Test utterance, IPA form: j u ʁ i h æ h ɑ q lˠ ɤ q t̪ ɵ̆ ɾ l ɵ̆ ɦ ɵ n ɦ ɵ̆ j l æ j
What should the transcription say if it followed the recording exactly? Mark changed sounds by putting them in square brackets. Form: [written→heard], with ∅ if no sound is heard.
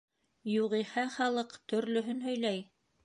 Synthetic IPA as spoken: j u ʁ i h æ [h→χ] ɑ [q→∅] lˠ ɤ q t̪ ɵ̆ ɾ l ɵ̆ ɦ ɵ n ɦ ɵ̆ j l æ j